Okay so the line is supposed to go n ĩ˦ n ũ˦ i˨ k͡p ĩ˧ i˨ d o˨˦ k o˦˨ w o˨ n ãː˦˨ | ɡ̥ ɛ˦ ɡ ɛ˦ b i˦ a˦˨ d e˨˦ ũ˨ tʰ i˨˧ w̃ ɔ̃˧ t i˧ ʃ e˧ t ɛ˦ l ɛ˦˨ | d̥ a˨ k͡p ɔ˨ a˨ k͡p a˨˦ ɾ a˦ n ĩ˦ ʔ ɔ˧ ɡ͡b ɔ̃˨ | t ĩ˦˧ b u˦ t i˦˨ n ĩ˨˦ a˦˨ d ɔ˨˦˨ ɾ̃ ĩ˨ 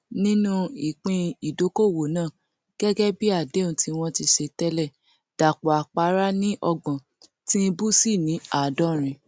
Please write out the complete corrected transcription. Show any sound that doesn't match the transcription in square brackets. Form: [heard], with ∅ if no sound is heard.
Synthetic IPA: n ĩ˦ n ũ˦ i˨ k͡p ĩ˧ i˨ d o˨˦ k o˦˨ w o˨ n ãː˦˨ | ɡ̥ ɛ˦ ɡ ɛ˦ b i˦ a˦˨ d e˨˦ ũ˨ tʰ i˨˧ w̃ ɔ̃˧ t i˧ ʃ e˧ t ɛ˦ l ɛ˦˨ | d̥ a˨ k͡p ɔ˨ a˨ k͡p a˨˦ ɾ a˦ n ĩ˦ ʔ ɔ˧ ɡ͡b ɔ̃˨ | t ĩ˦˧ b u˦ [s] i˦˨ n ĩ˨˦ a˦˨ d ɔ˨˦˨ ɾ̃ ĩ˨